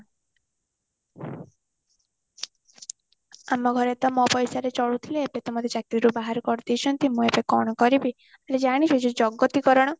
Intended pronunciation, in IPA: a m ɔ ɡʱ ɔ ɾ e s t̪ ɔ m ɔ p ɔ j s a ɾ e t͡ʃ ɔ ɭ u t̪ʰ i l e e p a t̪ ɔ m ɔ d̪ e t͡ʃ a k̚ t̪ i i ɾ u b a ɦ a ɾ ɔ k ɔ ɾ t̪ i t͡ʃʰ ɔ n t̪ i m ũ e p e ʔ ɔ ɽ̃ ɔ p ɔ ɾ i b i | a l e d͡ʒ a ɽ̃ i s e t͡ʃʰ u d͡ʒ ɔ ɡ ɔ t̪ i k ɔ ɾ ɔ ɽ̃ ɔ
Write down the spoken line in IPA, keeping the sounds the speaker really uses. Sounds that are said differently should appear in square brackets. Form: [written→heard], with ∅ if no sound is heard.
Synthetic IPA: a m ɔ ɡʱ ɔ ɾ e [s→∅] t̪ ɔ m ɔ p ɔ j s a ɾ e t͡ʃ ɔ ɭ u t̪ʰ i l e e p [a→e] t̪ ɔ m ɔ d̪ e t͡ʃ a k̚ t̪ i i ɾ u b a ɦ a ɾ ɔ k ɔ ɾ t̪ i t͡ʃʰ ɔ n t̪ i m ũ e p e [ʔ→k] ɔ ɽ̃ ɔ [p→k] ɔ ɾ i b i | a l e d͡ʒ a ɽ̃ i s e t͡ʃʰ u d͡ʒ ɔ ɡ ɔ t̪ i k ɔ ɾ ɔ ɽ̃ ɔ